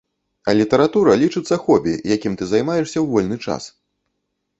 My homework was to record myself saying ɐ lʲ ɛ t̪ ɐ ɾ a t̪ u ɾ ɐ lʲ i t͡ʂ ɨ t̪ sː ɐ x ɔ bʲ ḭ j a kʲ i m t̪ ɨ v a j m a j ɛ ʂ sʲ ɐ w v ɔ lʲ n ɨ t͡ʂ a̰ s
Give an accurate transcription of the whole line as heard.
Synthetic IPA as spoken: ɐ lʲ i t̪ ɐ ɾ a t̪ u ɾ ɐ lʲ i t͡ʂ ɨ t̪ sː ɐ x ɔ bʲ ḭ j a kʲ i m t̪ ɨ z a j m a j ɛ ʂ sʲ ɐ w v ɔ lʲ n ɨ t͡ʂ a̰ s